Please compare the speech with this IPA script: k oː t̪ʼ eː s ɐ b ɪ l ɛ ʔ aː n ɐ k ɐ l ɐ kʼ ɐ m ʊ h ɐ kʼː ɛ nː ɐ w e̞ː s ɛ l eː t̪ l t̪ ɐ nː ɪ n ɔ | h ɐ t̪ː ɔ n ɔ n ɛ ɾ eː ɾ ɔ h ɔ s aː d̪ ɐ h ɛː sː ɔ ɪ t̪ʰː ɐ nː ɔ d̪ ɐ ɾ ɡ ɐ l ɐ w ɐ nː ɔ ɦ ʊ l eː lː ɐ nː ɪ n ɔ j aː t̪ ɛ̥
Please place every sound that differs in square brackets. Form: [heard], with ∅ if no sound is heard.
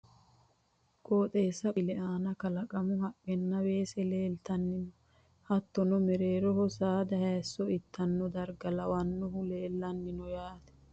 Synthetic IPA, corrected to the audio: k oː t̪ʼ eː s ɐ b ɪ l ɛ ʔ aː n ɐ k ɐ l ɐ kʼ ɐ m ʊ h ɐ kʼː ɛ nː ɐ w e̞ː s ɛ l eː [∅] l t̪ ɐ nː ɪ n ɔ | h ɐ t̪ː ɔ n ɔ [m] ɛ ɾ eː ɾ ɔ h ɔ s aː d̪ ɐ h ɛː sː ɔ ɪ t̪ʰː ɐ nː ɔ d̪ ɐ ɾ ɡ ɐ l ɐ w ɐ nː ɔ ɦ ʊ l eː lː ɐ nː ɪ n ɔ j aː t̪ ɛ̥